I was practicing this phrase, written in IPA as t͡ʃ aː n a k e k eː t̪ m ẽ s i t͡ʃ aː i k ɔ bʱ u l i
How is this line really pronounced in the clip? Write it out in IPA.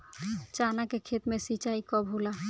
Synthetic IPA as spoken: t͡ʃ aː n a k e kʰ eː t̪ m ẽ s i t͡ʃ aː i k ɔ bʱ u l a